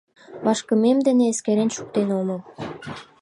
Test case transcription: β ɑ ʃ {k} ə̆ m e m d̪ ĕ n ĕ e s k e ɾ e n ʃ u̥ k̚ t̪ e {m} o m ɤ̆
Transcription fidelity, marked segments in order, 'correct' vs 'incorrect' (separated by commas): correct, incorrect